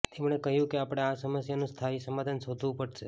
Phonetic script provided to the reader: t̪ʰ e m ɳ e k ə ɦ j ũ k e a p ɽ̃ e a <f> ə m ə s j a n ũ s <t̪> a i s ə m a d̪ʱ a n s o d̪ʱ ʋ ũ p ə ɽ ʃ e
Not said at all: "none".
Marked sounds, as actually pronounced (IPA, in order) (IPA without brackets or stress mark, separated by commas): s, t̪ʰ